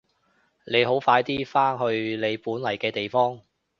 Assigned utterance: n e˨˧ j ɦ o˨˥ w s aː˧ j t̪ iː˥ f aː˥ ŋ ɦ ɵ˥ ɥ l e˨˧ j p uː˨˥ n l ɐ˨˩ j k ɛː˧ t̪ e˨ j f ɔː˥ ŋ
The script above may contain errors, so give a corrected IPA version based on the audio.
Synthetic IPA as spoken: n e˨˧ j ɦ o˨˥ w f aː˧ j t̪ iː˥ f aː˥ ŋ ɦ ɵ˧ ɥ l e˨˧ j p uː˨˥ n l ɐ˨˩ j k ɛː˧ t̪ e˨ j f ɔː˥ ŋ